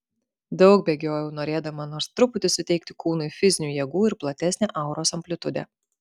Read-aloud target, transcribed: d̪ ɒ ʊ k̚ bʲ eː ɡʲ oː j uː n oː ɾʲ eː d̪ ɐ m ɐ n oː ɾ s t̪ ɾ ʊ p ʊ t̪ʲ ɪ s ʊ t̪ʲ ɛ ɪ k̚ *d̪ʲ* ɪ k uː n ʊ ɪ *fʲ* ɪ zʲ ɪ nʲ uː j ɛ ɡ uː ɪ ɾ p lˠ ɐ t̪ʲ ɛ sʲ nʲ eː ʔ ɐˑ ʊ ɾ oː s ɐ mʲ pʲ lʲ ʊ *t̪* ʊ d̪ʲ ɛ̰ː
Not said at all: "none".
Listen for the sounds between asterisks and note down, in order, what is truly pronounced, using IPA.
t̪ʲ, fʲ, t̪

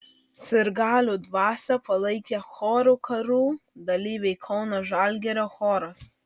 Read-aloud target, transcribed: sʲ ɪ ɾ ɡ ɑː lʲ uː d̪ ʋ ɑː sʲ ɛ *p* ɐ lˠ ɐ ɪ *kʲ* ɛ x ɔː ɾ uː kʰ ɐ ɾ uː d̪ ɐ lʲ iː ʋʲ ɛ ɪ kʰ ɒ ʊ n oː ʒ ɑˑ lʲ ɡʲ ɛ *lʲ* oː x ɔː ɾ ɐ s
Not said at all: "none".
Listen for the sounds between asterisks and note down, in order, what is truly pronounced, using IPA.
p, kʲ, ɾʲ

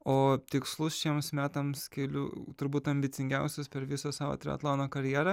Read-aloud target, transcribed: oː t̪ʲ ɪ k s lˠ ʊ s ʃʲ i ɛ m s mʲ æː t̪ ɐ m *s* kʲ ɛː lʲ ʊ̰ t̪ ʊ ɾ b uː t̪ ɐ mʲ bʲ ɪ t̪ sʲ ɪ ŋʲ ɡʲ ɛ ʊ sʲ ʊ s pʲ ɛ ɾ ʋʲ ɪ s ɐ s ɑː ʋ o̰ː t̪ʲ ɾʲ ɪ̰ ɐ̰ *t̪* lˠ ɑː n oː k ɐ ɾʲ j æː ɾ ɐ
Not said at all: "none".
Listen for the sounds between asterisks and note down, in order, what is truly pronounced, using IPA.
s, t̪

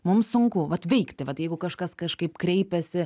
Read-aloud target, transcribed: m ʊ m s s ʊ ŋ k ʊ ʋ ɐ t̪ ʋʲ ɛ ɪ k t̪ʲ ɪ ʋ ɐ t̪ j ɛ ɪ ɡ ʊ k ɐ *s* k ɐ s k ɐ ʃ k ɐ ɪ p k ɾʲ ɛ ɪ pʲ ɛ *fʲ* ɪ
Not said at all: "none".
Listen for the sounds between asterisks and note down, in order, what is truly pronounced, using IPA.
ʃ, sʲ

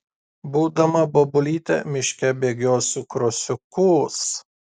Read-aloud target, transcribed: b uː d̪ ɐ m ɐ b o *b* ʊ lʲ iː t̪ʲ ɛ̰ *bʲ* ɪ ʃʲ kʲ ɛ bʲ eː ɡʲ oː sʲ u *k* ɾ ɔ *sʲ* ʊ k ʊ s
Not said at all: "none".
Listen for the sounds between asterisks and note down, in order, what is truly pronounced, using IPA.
b, mʲ, k, sʲ

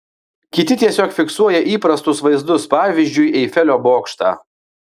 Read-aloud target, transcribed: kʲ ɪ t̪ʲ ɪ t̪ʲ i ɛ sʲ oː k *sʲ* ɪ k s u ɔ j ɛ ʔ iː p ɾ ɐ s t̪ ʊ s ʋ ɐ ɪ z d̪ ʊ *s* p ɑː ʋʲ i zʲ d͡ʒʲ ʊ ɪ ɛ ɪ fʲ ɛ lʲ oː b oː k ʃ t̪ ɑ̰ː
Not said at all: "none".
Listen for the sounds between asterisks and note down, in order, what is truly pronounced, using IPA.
fʲ, s

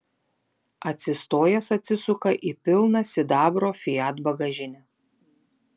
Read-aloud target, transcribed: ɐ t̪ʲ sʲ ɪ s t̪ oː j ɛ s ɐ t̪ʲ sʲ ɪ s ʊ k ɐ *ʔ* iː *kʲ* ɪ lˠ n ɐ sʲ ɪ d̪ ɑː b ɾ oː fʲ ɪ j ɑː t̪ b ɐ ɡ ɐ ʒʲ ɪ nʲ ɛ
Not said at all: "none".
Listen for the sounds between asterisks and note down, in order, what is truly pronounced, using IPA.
ʔ, pʲ

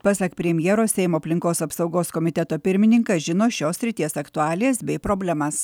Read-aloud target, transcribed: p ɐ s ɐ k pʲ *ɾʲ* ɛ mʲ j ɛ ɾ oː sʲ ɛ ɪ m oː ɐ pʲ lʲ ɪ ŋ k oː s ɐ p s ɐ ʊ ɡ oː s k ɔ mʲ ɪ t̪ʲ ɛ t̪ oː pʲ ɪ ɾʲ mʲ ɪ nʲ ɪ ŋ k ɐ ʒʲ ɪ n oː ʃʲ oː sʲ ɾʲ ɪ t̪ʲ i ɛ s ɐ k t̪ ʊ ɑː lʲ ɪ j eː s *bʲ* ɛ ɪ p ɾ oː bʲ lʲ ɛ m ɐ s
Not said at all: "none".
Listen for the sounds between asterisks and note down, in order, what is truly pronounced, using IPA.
ɾʲ, bʲ

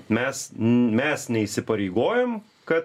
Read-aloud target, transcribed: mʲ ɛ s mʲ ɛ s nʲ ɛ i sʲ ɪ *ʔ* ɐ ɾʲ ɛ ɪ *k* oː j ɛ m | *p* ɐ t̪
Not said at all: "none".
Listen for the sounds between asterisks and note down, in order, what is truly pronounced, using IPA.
p, ɡ, k

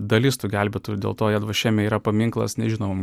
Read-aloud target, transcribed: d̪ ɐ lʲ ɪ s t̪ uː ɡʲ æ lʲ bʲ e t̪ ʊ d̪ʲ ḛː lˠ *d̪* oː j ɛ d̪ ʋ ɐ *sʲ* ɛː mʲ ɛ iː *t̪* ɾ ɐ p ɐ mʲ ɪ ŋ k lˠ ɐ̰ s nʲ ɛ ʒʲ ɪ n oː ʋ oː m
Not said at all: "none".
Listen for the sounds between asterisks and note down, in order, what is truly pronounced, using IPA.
t̪, ʃʲ, none

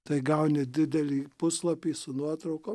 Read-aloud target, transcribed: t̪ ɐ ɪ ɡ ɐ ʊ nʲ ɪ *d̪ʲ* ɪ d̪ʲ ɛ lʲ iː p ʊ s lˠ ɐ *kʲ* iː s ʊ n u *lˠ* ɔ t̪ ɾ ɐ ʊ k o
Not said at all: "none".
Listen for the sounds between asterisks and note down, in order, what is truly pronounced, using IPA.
d̪ʲ, pʲ, none

